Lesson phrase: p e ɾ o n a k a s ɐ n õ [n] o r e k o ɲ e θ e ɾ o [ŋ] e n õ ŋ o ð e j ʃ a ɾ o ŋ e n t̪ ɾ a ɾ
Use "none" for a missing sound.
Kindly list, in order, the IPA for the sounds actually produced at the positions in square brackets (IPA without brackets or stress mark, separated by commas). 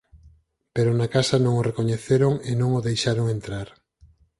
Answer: ŋ, ŋ